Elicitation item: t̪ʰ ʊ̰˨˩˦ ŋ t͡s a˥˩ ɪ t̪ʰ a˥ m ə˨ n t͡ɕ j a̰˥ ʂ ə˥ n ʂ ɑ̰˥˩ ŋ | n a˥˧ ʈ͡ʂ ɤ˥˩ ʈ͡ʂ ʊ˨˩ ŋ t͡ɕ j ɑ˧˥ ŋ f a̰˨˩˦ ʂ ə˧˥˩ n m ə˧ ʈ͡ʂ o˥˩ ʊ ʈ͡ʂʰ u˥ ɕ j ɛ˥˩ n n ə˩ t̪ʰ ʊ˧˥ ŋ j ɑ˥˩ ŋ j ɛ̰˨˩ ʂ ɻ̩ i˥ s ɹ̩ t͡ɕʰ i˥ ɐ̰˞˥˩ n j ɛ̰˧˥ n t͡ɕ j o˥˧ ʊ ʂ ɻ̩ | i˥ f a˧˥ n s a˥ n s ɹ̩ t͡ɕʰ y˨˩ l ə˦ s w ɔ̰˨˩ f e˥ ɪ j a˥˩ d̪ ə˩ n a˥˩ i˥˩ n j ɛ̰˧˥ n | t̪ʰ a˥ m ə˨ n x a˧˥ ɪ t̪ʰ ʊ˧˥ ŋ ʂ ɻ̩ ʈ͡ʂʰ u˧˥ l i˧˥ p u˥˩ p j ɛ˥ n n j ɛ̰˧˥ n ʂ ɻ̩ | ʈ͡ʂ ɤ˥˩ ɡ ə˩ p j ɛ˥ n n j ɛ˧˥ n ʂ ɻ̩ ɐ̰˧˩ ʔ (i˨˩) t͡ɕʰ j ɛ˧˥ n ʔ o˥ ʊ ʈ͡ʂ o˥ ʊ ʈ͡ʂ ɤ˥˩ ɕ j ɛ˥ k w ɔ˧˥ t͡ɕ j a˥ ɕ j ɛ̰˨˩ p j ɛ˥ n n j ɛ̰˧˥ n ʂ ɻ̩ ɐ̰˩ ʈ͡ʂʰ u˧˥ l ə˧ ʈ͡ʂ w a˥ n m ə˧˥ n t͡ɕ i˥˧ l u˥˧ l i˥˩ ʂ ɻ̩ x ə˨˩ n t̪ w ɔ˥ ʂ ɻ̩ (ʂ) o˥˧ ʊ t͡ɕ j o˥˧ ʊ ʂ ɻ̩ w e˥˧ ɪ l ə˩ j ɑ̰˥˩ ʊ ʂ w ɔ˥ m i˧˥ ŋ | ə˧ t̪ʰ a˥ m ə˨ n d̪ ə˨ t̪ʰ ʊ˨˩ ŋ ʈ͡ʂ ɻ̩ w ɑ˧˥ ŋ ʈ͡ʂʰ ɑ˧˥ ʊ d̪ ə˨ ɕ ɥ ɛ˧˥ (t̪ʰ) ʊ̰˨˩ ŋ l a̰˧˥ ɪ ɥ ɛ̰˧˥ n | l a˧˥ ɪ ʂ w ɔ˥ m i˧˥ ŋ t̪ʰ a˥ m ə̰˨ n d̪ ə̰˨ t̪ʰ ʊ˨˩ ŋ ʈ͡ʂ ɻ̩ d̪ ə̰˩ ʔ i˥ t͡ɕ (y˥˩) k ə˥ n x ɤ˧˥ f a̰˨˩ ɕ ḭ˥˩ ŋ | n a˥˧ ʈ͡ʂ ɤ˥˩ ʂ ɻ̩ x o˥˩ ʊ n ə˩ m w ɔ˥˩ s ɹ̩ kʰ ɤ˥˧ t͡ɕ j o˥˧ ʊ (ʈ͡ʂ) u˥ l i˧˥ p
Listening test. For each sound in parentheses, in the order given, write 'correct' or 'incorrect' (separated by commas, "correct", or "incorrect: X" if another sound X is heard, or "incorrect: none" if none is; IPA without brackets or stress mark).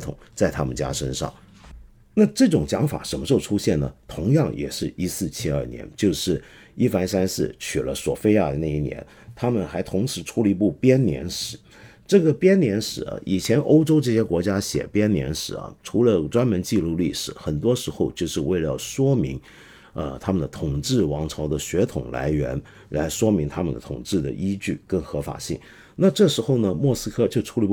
correct, incorrect: x, correct, correct, incorrect: ʈ͡ʂʰ